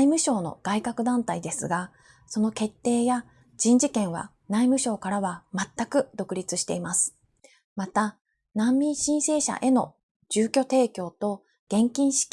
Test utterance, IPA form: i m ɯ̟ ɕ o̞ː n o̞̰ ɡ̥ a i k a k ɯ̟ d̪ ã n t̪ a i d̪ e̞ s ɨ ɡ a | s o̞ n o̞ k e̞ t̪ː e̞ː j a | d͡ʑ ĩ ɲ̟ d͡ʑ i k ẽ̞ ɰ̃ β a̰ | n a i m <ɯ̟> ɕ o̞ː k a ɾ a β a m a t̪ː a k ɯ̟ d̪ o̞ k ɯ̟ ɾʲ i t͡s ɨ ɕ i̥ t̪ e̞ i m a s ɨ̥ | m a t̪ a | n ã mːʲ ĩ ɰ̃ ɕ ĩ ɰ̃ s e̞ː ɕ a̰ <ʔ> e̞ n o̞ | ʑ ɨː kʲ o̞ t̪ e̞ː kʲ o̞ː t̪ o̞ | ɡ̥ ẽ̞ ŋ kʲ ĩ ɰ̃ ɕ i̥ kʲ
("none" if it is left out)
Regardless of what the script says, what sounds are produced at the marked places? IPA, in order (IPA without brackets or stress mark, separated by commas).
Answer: ɯ̟, ʔ